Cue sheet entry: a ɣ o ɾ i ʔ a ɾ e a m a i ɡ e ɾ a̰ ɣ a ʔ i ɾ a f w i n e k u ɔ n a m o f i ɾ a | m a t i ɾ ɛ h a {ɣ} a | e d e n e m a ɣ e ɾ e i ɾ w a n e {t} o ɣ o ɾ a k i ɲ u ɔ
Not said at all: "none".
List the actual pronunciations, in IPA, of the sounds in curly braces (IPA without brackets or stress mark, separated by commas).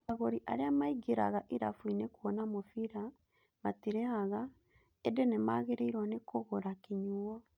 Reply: ɣ, k